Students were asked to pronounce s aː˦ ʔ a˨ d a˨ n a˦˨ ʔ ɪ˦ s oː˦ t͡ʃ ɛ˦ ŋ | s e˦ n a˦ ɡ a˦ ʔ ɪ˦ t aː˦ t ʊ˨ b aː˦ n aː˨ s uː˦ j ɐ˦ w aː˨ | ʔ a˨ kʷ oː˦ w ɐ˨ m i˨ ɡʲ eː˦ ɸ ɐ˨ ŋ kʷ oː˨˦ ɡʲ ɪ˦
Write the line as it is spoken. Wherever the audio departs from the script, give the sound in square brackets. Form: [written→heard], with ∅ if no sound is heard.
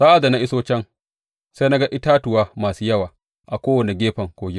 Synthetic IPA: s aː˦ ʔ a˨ d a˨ n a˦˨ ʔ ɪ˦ s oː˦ t͡ʃ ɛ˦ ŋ | s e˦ n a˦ ɡ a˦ ʔ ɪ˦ t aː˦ t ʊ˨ [b→w] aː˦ [n→m] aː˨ s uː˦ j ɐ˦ w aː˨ | ʔ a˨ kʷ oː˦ w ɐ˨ [m→n] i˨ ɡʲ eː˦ ɸ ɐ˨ ŋ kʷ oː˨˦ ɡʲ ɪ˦